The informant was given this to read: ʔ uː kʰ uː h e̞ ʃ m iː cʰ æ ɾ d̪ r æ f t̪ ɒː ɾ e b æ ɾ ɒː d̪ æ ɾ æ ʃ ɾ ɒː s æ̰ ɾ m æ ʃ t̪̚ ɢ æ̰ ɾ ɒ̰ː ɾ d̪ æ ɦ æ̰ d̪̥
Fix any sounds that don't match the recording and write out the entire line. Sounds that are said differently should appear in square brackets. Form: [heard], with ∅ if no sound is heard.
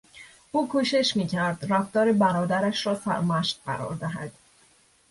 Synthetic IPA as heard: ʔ uː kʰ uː [ʃ] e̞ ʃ m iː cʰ æ ɾ d̪ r æ f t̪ ɒː ɾ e b æ ɾ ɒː d̪ æ ɾ æ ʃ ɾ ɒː s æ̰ ɾ m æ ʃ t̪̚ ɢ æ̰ ɾ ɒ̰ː ɾ d̪ æ ɦ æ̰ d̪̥